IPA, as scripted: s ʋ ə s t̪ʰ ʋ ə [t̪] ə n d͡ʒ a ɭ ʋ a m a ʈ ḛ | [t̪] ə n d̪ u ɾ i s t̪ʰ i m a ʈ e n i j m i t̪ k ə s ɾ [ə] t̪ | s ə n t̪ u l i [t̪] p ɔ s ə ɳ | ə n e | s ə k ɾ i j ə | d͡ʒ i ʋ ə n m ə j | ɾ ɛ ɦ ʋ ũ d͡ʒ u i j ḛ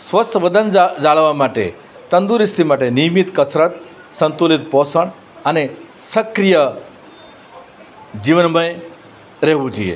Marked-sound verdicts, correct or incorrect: incorrect, correct, correct, correct

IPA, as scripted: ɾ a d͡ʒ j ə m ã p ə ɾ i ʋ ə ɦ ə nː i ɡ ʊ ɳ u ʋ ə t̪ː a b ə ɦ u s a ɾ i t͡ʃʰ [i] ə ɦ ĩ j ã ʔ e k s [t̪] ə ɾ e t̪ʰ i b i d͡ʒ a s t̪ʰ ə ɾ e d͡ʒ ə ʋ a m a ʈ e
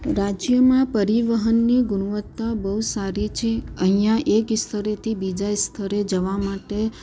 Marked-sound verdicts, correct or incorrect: incorrect, incorrect

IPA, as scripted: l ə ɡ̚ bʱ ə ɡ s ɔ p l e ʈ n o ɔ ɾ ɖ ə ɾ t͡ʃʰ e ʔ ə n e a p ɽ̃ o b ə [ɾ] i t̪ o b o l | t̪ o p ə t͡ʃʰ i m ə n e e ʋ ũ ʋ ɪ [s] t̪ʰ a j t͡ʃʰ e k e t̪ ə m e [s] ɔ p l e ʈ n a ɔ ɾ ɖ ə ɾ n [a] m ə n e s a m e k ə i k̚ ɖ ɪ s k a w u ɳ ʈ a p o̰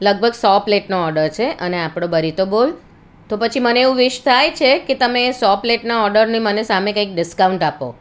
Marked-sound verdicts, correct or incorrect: correct, incorrect, correct, incorrect

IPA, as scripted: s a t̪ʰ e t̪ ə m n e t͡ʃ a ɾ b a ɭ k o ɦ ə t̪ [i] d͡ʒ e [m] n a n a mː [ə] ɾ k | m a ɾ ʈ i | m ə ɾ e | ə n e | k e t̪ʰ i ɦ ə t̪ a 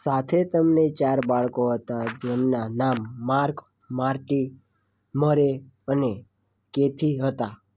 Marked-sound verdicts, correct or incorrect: incorrect, correct, incorrect

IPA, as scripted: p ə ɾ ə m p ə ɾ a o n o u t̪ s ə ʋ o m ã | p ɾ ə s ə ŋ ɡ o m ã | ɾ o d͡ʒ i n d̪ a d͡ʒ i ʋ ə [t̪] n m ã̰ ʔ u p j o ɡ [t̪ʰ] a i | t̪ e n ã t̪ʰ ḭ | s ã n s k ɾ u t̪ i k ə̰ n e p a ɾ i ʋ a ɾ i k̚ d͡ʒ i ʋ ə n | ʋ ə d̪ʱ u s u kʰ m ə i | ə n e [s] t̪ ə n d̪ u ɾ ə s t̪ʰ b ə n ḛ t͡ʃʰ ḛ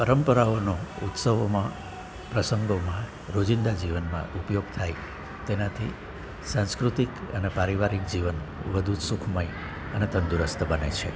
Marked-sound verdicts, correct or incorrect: incorrect, correct, incorrect

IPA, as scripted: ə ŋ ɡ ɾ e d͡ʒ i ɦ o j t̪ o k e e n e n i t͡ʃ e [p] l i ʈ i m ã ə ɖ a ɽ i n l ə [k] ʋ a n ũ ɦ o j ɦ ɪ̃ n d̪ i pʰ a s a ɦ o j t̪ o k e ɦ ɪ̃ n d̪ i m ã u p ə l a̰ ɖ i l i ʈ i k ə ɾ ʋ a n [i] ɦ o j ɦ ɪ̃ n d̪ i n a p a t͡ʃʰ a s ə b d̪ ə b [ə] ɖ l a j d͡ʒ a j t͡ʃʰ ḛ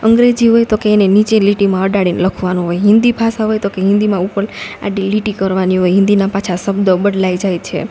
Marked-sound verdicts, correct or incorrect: incorrect, incorrect, correct, correct

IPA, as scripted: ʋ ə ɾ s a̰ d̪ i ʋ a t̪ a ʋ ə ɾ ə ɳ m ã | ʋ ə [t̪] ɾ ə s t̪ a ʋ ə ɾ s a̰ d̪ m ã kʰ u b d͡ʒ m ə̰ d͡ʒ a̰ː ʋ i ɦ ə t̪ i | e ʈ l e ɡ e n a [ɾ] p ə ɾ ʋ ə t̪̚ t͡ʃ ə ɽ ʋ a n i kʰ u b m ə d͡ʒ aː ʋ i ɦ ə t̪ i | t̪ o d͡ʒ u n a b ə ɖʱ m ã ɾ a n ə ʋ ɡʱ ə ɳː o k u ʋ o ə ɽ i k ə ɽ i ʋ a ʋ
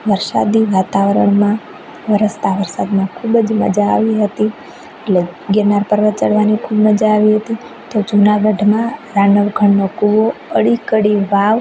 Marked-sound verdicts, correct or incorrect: incorrect, correct

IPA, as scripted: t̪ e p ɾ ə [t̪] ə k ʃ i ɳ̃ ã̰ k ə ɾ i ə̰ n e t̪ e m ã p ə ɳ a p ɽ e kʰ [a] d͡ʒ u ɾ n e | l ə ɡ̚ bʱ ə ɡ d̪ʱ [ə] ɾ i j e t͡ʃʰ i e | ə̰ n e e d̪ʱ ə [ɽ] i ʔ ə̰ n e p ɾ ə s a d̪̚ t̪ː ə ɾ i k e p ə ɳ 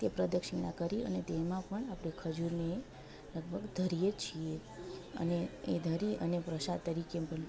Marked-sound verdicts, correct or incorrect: incorrect, incorrect, correct, incorrect

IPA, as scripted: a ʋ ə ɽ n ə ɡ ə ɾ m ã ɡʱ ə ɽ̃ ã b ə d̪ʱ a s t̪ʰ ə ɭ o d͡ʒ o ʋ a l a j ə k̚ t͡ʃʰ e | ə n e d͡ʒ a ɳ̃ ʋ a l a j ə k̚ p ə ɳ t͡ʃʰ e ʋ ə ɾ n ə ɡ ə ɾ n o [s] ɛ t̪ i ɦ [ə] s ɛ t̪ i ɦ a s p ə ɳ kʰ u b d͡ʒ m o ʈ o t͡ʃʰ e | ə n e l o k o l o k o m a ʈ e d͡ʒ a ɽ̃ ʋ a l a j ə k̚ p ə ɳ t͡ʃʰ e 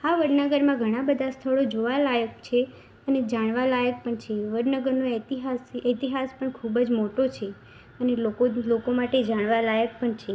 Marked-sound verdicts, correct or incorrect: incorrect, incorrect

